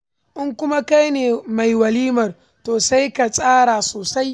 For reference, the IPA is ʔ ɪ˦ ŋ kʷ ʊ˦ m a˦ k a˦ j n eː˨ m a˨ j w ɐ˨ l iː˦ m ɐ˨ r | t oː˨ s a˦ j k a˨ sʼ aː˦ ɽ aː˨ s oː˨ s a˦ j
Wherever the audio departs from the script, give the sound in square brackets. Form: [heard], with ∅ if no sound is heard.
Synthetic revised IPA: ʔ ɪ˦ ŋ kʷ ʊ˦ m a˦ k a˦ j n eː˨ m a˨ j w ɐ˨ l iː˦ m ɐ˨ r | t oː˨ s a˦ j k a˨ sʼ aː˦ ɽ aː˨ s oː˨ s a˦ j